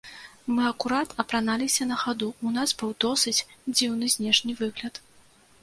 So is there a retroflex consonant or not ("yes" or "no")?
yes